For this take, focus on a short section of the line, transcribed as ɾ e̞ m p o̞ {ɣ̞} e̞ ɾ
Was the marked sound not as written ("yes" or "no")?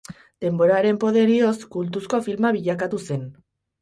yes